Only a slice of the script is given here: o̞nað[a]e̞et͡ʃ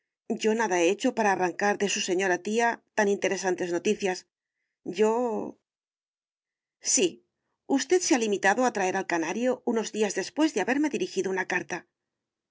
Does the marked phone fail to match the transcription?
no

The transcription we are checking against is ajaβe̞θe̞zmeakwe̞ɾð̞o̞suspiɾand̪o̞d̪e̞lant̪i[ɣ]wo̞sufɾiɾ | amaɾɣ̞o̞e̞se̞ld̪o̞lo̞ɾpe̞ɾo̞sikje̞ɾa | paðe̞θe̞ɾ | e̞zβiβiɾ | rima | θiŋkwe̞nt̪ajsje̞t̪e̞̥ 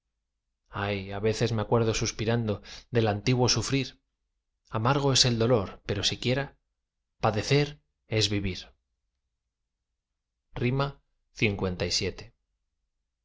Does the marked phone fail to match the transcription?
no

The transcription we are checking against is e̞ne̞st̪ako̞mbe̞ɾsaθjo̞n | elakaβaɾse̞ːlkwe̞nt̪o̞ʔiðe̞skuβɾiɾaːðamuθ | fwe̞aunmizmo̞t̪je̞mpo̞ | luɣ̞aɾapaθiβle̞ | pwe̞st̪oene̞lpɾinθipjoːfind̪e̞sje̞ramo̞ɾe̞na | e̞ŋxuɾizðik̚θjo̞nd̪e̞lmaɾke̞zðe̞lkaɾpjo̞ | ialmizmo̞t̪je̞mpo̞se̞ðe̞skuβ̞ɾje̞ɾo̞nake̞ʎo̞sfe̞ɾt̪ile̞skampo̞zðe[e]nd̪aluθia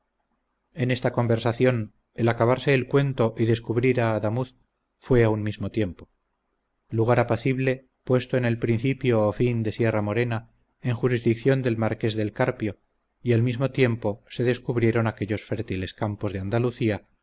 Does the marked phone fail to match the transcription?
yes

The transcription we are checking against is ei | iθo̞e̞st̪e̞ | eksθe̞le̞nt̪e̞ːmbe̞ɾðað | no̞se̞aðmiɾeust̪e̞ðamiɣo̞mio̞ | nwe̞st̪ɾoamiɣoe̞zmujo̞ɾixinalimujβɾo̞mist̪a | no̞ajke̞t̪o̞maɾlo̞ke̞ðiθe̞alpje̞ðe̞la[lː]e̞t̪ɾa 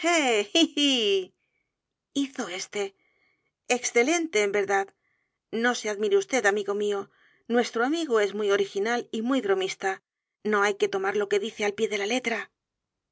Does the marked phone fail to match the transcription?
yes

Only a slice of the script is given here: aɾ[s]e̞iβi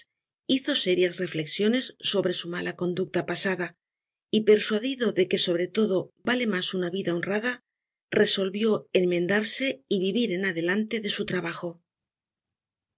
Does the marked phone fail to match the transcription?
no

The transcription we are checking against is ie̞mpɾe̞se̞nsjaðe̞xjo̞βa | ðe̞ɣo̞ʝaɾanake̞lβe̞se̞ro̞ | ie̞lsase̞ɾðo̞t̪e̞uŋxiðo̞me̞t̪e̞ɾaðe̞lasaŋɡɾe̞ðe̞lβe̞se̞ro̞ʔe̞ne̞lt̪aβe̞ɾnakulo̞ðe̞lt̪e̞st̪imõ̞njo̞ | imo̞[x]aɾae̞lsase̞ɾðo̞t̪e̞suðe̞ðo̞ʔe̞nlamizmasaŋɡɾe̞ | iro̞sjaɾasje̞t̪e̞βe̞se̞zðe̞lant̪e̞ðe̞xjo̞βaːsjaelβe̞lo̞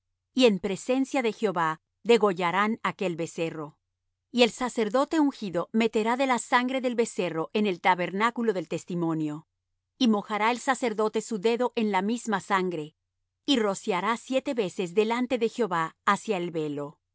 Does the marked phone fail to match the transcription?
no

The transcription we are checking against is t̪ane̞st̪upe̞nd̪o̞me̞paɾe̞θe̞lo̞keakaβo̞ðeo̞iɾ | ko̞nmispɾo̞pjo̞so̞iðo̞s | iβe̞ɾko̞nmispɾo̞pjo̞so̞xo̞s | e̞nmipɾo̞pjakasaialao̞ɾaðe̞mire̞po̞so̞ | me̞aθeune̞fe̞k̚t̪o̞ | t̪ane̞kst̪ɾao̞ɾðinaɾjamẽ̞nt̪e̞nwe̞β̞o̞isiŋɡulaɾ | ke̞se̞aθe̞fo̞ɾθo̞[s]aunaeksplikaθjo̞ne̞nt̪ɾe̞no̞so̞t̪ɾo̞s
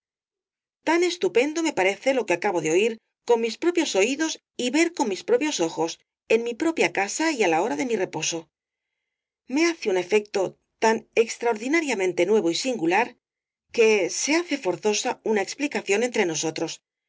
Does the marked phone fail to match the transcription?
no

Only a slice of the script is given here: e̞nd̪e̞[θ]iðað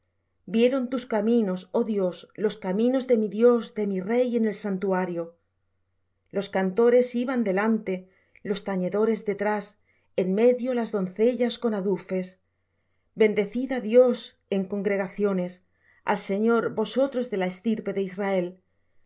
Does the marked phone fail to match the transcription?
no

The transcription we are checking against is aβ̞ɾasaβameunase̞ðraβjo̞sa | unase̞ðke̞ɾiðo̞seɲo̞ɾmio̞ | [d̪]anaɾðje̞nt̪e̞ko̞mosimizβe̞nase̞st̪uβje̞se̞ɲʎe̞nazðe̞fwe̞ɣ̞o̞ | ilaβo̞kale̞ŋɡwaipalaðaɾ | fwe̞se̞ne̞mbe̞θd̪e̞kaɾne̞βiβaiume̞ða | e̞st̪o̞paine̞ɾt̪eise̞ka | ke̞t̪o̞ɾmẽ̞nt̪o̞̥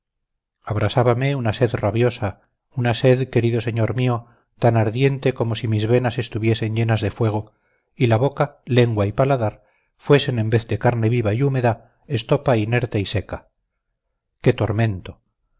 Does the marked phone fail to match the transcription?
yes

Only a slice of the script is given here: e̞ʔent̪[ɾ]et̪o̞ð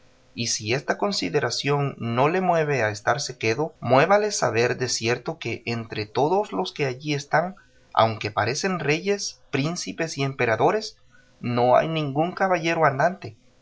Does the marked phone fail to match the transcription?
no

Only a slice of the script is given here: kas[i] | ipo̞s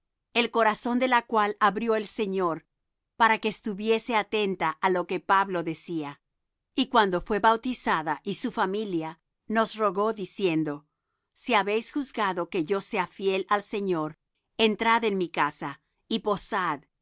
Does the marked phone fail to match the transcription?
yes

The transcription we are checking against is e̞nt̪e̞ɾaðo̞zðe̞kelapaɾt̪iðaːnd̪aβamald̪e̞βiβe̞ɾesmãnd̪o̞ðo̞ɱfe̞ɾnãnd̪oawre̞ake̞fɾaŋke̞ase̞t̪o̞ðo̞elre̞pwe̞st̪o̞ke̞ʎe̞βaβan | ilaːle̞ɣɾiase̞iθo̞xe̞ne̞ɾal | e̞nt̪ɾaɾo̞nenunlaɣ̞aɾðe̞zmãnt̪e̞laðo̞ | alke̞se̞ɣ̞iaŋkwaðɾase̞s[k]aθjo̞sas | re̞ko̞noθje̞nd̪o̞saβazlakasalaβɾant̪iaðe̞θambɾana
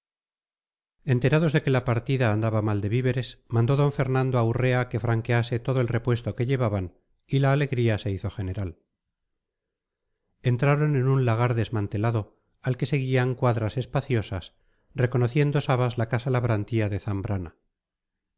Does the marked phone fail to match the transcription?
yes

